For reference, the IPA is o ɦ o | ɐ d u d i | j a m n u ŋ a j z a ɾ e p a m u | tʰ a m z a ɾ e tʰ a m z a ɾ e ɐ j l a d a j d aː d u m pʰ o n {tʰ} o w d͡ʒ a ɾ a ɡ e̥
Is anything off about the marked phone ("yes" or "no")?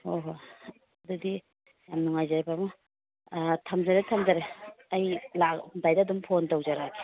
yes